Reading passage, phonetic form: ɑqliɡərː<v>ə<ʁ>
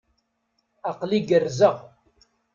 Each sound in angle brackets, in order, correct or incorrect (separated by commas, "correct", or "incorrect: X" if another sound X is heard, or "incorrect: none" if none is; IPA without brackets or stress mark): incorrect: z, correct